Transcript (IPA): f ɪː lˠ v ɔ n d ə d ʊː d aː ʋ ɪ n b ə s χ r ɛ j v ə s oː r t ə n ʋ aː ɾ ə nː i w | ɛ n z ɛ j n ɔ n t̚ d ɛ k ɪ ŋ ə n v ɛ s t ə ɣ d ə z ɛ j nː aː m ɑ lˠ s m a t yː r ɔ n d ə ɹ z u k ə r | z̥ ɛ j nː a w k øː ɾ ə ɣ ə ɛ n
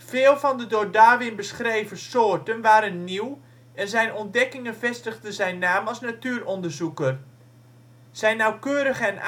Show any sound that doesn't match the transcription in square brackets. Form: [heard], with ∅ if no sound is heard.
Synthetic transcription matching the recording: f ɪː lˠ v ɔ n d ə d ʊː d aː ʋ ɪ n b ə s χ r [e] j v ə s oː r t ə n ʋ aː ɾ ə nː i w | ɛ n z ɛ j n ɔ n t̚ d ɛ k ɪ ŋ ə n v ɛ s t ə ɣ d ə z ɛ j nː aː m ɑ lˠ s [n] a t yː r ɔ n d ə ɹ z u k ə r | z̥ ɛ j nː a w k øː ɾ ə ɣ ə ɛ n